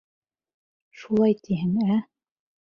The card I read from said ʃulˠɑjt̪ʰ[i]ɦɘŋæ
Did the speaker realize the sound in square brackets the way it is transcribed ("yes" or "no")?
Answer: yes